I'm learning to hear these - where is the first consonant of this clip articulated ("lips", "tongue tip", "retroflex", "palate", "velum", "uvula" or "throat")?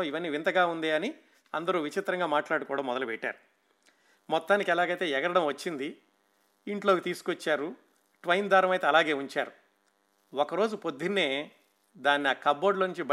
lips